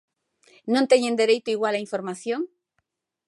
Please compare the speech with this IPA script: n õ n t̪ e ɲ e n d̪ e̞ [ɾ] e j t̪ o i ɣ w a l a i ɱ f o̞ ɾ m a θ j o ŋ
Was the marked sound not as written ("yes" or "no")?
no